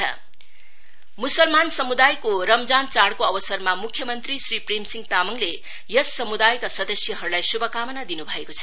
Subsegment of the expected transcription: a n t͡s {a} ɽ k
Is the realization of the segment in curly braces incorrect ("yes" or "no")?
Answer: no